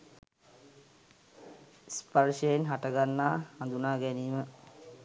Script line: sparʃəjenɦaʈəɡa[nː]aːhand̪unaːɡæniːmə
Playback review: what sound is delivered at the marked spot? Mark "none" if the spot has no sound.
nː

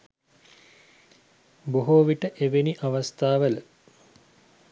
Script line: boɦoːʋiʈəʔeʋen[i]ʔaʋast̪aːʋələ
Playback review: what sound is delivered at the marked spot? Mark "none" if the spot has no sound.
i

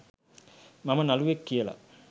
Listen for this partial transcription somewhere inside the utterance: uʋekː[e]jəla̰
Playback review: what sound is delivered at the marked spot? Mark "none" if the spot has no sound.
i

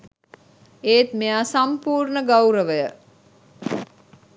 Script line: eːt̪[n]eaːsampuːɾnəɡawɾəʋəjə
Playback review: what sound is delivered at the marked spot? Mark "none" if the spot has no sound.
m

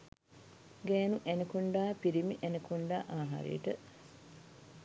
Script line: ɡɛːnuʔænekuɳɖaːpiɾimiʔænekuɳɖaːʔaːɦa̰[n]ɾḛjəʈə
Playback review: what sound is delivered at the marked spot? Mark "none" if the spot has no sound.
none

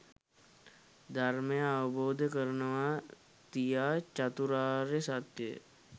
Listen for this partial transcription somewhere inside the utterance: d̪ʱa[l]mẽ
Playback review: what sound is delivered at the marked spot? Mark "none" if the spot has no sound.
ɾ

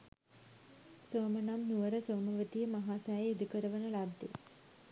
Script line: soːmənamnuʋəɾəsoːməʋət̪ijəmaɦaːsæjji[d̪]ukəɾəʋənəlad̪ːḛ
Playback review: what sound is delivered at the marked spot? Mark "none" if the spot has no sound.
d̪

